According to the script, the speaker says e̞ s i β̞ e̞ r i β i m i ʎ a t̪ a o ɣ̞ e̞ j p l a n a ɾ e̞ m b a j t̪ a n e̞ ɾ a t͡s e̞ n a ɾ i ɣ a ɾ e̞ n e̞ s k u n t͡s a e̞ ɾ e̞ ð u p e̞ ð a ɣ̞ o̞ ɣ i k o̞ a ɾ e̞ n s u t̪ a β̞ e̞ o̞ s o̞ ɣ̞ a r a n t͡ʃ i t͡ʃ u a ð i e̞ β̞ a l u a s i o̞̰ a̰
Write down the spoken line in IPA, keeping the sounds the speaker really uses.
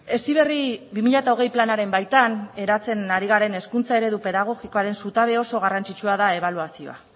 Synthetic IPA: e̞ s i β̞ e̞ r i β i m i ʎ a t̪ a o ɣ̞ e̞ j p l a n a ɾ e̞ m b a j t̪ a n e̞ ɾ a t͡s e̞ n a ɾ i ɣ a ɾ e̞ n e̞ s k u n t͡s a e̞ ɾ e̞ ð u p e̞ ð a ɣ̞ o̞ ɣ i k o̞ a ɾ e̞ n s u t̪ a β̞ e̞ o̞ s o̞ ɣ̞ a r a n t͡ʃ i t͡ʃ u a ð a e̞ β̞ a l u a s i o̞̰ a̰